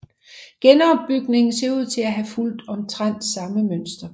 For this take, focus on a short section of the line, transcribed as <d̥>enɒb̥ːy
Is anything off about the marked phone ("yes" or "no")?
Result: yes